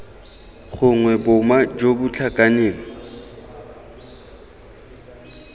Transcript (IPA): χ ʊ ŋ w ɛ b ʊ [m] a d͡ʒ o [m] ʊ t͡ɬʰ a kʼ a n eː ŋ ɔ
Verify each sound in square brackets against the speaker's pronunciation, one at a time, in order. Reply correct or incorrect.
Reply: correct, incorrect: b

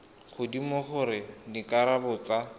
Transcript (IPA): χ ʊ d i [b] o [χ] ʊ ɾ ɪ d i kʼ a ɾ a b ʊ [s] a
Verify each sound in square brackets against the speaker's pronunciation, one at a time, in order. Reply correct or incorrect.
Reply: incorrect: m, correct, incorrect: t͡s

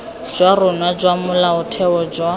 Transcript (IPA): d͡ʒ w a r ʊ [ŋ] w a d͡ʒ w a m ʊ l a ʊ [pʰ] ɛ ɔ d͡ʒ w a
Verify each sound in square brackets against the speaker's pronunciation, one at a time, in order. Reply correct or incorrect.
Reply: incorrect: n, incorrect: tʰ

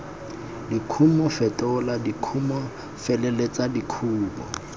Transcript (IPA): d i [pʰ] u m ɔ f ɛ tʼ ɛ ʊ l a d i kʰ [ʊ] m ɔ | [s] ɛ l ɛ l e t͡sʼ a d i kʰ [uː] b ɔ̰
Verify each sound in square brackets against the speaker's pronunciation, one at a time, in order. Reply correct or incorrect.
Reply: incorrect: kʰ, incorrect: u, incorrect: f, correct

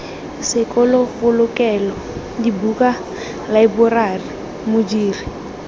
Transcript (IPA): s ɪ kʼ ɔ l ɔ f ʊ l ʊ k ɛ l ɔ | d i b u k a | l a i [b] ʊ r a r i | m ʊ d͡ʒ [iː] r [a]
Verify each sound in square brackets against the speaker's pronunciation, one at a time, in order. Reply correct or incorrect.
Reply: correct, correct, incorrect: i

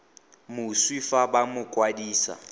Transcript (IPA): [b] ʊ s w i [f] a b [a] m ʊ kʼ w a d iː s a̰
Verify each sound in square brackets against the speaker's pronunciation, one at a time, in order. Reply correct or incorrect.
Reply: incorrect: m, correct, correct

